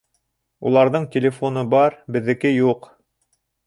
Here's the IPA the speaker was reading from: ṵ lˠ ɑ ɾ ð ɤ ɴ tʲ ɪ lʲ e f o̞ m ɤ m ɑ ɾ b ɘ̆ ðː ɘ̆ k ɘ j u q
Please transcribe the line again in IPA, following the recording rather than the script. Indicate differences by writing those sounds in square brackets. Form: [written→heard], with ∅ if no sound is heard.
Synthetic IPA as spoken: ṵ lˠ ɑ ɾ ð ɤ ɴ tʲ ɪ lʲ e f o̞ [m→n] ɤ [m→b] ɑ ɾ b ɘ̆ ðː ɘ̆ k ɘ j u q